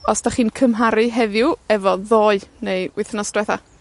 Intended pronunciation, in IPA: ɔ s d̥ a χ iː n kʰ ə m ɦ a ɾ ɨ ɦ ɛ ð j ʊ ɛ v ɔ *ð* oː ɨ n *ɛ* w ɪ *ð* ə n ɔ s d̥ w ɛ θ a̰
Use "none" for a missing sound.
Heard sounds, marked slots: ð, e, θ

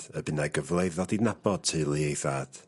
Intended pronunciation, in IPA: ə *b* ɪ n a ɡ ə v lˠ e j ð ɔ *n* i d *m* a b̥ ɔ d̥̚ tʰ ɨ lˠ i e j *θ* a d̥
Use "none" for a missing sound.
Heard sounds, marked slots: b, d, n, θ

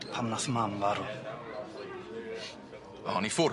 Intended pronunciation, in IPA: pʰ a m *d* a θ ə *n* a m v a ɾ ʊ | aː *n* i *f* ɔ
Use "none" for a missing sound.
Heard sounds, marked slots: n, m, n, f

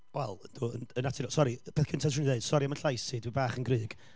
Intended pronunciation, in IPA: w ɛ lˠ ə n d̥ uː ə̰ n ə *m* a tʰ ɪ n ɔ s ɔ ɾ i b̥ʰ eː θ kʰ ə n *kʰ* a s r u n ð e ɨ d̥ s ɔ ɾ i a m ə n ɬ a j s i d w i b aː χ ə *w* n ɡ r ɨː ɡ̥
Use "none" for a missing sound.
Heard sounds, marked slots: n, tʰ, none

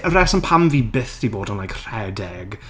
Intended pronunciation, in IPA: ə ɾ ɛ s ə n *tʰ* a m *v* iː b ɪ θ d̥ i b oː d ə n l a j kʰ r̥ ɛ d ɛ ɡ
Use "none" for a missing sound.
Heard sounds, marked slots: pʰ, v

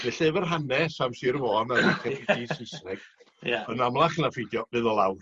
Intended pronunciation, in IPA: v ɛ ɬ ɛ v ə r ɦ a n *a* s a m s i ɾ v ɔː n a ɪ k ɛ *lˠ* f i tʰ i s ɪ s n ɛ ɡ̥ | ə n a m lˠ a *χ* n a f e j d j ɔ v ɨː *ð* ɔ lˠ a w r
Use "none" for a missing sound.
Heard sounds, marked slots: ɛ, none, χ, ð

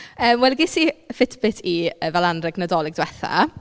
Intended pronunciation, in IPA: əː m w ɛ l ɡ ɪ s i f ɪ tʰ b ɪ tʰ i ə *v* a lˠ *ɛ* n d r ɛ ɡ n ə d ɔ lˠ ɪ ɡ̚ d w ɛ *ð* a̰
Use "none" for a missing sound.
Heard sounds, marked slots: v, a, θ

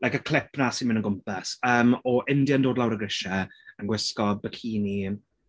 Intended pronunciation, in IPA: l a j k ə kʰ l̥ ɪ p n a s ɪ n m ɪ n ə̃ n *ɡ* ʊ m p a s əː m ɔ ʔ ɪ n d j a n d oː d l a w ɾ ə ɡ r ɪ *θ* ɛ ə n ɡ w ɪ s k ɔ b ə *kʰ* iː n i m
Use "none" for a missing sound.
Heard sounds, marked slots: ɡ, ʃ, kʰ

